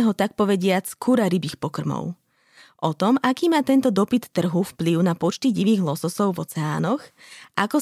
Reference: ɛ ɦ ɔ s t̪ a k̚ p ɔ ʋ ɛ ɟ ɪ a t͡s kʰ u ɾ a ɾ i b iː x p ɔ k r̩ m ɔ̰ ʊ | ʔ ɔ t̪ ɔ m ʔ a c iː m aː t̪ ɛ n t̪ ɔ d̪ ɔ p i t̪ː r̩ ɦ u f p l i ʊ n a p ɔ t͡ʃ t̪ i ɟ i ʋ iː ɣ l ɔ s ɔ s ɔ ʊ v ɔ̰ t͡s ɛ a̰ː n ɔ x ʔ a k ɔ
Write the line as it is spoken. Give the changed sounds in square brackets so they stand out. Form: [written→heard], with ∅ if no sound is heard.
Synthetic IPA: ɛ ɦ ɔ [s→∅] t̪ a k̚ p ɔ ʋ ɛ ɟ ɪ a t͡s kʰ u ɾ a ɾ i b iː x p ɔ k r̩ m ɔ̰ ʊ | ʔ ɔ t̪ ɔ m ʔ a [c→k] iː m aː t̪ ɛ n t̪ ɔ d̪ ɔ p i t̪ː r̩ ɦ u f p l i ʊ n a p ɔ t͡ʃ t̪ i ɟ i ʋ iː ɣ l ɔ s ɔ s ɔ ʊ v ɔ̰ t͡s ɛ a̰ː n ɔ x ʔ a k ɔ